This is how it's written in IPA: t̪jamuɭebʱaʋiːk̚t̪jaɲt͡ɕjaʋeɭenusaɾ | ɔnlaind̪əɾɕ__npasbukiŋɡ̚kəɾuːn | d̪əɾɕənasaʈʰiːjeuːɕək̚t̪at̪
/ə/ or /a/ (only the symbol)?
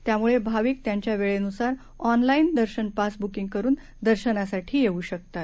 ə